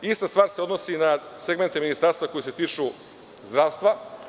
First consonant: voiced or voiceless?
voiceless